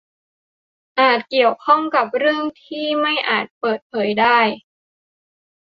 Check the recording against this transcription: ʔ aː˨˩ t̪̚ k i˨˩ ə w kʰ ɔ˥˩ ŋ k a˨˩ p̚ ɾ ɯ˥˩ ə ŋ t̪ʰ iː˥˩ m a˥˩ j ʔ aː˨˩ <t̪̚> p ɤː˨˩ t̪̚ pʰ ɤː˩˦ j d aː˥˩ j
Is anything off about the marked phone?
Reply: no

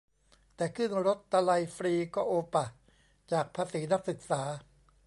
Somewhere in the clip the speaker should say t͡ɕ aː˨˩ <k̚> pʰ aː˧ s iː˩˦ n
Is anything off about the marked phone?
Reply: no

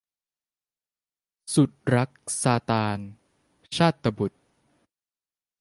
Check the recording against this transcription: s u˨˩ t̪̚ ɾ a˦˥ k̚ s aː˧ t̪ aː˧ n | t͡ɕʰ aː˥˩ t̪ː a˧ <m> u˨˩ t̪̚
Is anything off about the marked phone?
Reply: yes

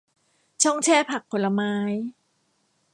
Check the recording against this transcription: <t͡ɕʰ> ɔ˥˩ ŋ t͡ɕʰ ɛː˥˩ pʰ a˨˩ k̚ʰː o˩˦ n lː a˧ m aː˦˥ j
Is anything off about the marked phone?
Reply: no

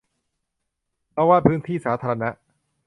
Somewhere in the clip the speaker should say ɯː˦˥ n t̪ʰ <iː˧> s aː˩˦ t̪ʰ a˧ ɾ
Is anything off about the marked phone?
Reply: yes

